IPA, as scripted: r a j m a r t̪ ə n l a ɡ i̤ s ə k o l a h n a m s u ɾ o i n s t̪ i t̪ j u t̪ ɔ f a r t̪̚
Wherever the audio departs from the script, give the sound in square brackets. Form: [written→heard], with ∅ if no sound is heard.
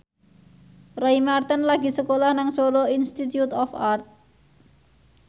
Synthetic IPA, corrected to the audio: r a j m a r t̪ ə n l a ɡ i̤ s ə k o l a h n a [m→ŋ] s [u→o] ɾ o i n s t̪ i t̪ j u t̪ ɔ f a r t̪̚